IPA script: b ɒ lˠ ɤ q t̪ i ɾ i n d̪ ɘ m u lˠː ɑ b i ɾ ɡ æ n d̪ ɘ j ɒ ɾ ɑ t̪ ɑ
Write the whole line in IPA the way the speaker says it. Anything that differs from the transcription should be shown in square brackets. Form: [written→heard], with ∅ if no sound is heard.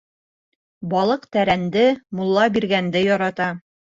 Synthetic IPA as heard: b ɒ lˠ ɤ q t̪ [i→æ] ɾ [i→æ] n d̪ ɘ m u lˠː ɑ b i ɾ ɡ æ n d̪ ɘ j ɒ ɾ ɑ t̪ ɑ